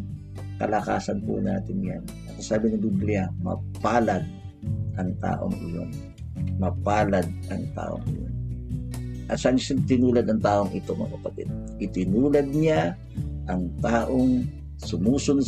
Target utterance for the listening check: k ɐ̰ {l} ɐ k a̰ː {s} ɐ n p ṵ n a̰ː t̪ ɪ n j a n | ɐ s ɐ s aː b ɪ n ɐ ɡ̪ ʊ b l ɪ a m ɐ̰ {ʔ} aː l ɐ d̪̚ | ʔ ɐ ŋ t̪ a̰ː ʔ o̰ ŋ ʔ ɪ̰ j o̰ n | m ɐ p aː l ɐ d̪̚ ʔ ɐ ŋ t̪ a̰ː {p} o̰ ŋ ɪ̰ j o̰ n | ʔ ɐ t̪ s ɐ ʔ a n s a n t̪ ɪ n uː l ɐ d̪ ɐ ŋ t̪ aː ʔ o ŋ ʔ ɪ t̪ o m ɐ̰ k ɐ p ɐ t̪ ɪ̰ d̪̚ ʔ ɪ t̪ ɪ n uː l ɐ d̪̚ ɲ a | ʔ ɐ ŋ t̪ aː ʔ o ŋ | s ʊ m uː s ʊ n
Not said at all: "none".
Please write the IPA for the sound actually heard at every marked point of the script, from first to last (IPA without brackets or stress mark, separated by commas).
l, s, p, ʔ